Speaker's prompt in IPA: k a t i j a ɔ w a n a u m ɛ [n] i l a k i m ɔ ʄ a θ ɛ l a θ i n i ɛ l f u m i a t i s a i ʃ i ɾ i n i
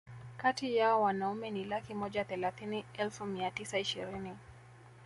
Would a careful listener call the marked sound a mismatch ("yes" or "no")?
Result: no